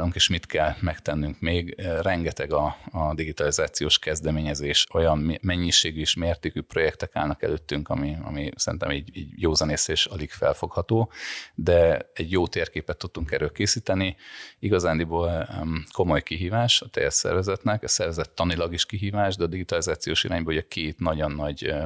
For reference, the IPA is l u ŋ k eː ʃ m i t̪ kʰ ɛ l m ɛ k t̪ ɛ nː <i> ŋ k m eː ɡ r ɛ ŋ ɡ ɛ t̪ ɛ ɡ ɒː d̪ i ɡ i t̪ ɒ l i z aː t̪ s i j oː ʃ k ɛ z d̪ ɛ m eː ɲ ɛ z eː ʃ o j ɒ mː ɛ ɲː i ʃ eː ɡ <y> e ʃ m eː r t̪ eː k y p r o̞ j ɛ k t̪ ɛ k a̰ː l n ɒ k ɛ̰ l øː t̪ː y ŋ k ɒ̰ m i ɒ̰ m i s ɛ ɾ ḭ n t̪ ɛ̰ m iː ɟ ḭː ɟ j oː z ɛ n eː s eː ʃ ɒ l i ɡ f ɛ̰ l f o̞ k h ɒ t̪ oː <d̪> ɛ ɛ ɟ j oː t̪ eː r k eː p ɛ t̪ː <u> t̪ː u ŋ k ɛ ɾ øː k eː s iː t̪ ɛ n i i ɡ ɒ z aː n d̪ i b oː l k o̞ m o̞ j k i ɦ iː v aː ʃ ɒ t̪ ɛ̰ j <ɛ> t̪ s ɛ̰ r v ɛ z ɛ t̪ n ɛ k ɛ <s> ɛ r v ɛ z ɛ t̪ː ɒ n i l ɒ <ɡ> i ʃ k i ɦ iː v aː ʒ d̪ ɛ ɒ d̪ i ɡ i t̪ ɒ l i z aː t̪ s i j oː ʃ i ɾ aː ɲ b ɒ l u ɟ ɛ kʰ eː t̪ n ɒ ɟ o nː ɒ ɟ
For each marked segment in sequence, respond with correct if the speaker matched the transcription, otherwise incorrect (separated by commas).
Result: incorrect, correct, correct, correct, correct, correct, correct